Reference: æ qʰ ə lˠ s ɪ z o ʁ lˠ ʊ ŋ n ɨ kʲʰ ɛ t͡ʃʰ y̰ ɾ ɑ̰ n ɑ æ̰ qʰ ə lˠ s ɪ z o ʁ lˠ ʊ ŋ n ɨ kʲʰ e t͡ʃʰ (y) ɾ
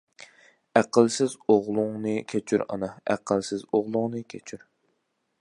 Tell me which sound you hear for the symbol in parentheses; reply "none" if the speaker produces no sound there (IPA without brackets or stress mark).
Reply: y